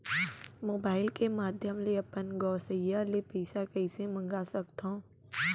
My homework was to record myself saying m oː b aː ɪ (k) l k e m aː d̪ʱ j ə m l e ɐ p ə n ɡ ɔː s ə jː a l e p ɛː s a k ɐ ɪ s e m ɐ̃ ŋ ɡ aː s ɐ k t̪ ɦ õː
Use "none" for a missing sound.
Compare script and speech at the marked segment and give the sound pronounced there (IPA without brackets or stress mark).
none